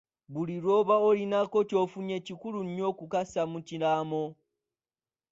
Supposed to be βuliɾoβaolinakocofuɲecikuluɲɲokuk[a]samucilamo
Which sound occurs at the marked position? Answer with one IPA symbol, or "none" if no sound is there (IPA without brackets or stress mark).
a